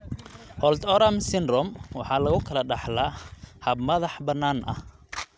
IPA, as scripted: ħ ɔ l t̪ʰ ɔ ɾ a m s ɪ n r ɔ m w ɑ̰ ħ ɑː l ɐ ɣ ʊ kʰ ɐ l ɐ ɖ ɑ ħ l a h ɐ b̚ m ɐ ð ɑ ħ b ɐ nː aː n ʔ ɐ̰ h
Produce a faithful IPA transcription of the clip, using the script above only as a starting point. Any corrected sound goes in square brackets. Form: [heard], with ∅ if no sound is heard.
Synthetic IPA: [h] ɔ l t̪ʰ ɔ ɾ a m s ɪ n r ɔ m w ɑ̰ ħ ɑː l ɐ ɣ ʊ kʰ ɐ l ɐ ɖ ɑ ħ l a h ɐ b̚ m ɐ ð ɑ ħ b ɐ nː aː n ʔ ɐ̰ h

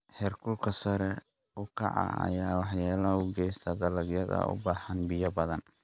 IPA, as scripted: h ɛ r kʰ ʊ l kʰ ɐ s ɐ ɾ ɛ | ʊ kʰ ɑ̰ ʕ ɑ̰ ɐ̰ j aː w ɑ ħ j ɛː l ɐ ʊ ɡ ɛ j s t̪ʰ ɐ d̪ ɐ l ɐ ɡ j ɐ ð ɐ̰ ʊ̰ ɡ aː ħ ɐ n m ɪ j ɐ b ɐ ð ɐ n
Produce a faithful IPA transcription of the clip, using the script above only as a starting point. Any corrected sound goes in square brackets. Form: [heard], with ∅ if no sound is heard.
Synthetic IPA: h ɛ r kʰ ʊ l kʰ ɐ s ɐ ɾ ɛ | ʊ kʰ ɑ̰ ʕ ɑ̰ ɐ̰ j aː w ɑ ħ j [aː] l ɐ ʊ ɡ ɛ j s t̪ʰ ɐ d̪ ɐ l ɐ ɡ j ɐ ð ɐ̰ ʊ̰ [b] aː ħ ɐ n [b] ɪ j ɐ b ɐ ð ɐ n

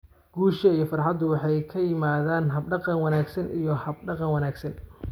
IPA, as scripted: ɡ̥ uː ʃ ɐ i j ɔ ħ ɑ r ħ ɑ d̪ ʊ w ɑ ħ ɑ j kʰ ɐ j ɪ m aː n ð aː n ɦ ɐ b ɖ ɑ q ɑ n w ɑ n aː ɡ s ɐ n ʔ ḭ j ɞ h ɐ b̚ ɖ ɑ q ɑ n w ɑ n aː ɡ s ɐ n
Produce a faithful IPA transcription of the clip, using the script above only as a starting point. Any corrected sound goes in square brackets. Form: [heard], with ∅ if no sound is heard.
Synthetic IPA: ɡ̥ uː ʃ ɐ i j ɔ [f] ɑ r ħ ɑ d̪ ʊ w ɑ ħ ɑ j kʰ ɐ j ɪ m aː [∅] ð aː n ɦ ɐ b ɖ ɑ q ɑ n w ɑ n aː ɡ s ɐ n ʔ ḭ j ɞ h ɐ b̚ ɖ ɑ q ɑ n w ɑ n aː ɡ s ɐ n

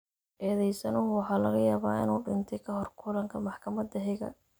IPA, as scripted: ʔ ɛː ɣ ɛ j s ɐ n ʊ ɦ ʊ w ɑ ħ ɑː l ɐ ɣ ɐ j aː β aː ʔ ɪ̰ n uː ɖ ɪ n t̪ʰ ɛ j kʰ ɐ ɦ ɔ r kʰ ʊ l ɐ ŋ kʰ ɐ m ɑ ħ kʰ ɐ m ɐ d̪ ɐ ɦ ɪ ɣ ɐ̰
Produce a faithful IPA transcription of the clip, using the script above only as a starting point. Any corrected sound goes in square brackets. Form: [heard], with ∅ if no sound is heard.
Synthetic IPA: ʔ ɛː [ð] ɛ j s ɐ n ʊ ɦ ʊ w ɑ ħ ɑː l ɐ ɣ ɐ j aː β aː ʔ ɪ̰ n uː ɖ ɪ n t̪ʰ ɛ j kʰ ɐ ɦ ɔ r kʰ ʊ l ɐ ŋ kʰ ɐ m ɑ ħ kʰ ɐ m ɐ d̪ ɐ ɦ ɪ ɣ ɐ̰

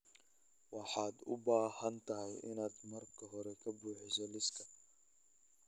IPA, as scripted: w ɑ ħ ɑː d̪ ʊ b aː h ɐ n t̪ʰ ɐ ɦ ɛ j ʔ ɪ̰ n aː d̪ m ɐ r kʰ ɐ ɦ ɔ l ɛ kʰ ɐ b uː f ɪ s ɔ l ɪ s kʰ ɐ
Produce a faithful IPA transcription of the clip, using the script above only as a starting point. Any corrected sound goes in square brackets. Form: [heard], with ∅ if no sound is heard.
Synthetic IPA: w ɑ ħ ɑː d̪ ʊ b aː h ɐ n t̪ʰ ɐ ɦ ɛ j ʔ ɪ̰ n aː d̪ m ɐ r kʰ ɐ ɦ ɔ [ɾ] ɛ kʰ ɐ b uː [ħ] ɪ s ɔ l ɪ s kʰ ɐ

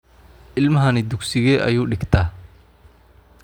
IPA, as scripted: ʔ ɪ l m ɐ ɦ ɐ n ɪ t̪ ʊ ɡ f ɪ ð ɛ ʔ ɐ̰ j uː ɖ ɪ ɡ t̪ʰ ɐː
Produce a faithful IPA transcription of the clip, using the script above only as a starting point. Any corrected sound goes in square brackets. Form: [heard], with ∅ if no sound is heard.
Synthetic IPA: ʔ ɪ l m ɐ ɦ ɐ n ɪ [d̪] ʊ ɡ [s] ɪ [ɣ] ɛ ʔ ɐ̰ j uː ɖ ɪ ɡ t̪ʰ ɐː

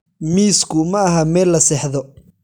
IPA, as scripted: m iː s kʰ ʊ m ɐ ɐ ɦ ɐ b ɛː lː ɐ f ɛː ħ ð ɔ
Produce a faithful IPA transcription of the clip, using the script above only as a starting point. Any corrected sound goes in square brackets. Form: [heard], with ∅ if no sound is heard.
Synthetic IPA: m iː s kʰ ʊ m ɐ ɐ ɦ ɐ [m] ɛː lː ɐ [s] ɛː ħ ð ɔ

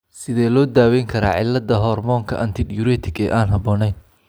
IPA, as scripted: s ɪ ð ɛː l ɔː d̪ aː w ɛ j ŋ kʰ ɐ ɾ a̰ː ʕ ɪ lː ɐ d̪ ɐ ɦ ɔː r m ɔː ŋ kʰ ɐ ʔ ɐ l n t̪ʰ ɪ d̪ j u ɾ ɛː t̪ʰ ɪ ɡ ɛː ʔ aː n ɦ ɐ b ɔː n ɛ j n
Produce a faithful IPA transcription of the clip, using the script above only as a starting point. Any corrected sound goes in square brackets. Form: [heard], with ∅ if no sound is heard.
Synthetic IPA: s ɪ ð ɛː l ɔː d̪ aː w ɛ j ŋ kʰ ɐ ɾ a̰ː ʕ ɪ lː ɐ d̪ ɐ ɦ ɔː r m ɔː ŋ kʰ ɐ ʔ ɐ [∅] n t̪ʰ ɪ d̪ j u ɾ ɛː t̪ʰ ɪ ɡ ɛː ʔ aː n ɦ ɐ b ɔː n ɛ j n

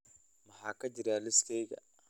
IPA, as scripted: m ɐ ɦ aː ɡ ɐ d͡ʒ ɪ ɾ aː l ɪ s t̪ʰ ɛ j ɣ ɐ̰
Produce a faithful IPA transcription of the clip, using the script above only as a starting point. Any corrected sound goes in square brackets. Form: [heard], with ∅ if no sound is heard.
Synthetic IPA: m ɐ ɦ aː [k] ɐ d͡ʒ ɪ ɾ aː l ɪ s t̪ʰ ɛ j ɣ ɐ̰

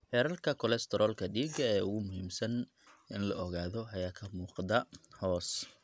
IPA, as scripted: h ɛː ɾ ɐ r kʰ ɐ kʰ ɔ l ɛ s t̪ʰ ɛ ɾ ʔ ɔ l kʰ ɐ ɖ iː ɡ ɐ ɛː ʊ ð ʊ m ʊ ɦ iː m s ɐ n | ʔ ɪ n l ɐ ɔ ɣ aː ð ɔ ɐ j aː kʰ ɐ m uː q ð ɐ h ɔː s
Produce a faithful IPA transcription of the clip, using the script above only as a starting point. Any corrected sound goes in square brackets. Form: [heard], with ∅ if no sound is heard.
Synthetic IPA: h ɛː ɾ ɐ [l] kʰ ɐ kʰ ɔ l ɛ s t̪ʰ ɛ ɾ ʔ ɔ l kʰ ɐ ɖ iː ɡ ɐ ɛː ʊ [ɣ] ʊ m ʊ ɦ iː m s ɐ n | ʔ ɪ n l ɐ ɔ ɣ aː ð ɔ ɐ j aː kʰ ɐ m uː q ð ɐ h ɔː s

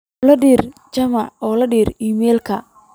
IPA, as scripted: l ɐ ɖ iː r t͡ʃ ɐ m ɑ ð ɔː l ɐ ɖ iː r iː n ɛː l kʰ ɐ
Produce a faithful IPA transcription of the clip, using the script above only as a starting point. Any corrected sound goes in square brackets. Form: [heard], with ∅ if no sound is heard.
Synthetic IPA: l ɐ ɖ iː r t͡ʃ ɐ m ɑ [ʕ] ɔː l ɐ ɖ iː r iː [m] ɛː l kʰ ɐ

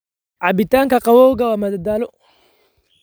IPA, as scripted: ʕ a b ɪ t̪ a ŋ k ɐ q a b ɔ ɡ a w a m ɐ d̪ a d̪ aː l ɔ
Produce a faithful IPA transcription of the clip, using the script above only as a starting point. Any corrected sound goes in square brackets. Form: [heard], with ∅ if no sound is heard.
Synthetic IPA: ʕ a b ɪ t̪ a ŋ k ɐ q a [w] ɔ ɡ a w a m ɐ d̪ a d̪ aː l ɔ

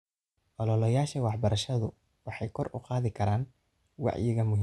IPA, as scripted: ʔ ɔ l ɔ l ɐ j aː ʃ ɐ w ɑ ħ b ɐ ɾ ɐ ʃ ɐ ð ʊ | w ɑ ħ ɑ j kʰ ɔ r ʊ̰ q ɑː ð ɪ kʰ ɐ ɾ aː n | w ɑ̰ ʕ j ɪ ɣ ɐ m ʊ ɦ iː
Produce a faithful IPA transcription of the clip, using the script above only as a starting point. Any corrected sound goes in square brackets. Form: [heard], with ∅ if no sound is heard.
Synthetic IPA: ʔ ɔ l ɔ l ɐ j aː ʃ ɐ w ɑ ħ b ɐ ɾ ɐ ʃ ɐ ð ʊ | w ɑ ħ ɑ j kʰ ɔ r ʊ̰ q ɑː ð ɪ kʰ ɐ ɾ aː n | w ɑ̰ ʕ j ɪ ɣ ɐ m ʊ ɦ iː

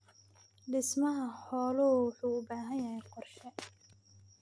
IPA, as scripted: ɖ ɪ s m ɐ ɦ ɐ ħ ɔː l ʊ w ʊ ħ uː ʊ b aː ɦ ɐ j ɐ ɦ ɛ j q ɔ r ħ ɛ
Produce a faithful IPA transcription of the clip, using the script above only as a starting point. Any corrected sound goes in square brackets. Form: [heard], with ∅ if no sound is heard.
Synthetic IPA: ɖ ɪ s m ɐ ɦ ɐ ħ ɔː l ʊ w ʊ ħ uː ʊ b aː ɦ ɐ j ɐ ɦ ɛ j q ɔ r [ʃ] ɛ

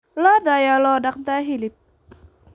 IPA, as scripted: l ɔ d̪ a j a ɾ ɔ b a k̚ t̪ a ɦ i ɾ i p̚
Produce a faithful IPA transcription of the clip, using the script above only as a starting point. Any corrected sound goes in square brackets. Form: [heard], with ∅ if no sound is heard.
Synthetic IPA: l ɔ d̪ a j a [l] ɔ [d] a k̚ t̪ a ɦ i [l] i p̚

